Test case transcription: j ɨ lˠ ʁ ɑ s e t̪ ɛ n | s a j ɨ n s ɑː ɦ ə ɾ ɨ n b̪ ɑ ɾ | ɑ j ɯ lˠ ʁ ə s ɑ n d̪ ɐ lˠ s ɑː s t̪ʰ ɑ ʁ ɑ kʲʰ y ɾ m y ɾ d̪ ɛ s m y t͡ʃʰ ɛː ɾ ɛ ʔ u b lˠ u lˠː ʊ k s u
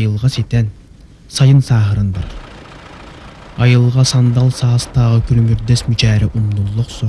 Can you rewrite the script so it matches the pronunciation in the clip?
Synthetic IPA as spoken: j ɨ lˠ ʁ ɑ s e t̪ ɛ n | s ɑ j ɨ n s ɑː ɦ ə ɾ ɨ n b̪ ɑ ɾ | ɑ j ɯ lˠ ʁ ɑ s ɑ n d̪ ɑ lˠ s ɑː s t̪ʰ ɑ ʁ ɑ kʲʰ y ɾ m y ɾ d̪ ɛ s m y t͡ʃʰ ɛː ɾ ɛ ʔ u m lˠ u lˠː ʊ q s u